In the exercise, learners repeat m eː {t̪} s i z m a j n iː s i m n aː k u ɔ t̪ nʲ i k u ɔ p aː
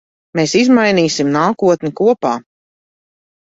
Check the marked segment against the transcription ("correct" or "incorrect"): incorrect